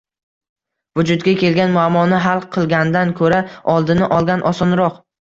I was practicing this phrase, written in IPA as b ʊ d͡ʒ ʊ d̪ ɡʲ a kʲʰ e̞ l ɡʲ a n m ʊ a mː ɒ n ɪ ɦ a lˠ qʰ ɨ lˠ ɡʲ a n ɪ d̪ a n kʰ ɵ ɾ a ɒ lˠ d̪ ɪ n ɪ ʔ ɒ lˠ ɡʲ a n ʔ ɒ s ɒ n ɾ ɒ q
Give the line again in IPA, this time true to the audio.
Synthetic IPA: v ʊ d͡ʒ ʊ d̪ ɡʲ a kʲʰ e̞ l ɡʲ a n m ʊ a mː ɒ n ɪ ɦ a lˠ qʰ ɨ lˠ ɡʲ a n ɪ d̪ a n kʰ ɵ ɾ a ɒ lˠ d̪ ɪ n ɪ ʔ ɒ lˠ ɡʲ a n ʔ ɒ s ɒ n ɾ ɒ q